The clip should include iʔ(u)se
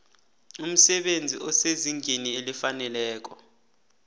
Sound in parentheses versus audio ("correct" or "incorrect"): incorrect